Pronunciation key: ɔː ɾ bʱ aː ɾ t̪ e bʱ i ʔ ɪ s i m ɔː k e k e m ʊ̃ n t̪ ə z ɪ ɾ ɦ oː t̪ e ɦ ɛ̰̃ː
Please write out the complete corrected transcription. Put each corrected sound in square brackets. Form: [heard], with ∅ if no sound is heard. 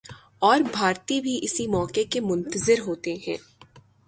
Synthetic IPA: ɔː ɾ bʱ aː ɾ t̪ [i] bʱ i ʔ ɪ s i m ɔː k e k e m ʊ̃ n t̪ ə z ɪ ɾ ɦ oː t̪ e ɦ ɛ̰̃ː